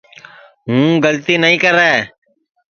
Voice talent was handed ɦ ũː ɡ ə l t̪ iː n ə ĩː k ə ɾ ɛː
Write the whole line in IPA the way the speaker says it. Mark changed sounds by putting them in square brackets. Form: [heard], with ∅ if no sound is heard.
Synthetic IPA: ɦ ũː ɡ ə l t̪ iː n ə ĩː k ə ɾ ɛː